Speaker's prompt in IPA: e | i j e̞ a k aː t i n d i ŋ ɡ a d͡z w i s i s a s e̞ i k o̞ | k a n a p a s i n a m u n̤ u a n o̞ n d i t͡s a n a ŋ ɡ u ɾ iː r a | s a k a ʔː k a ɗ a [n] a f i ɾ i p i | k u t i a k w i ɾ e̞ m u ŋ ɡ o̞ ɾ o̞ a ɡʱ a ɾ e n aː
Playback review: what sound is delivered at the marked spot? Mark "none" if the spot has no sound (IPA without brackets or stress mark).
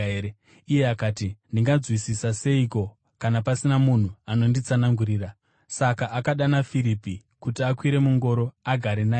n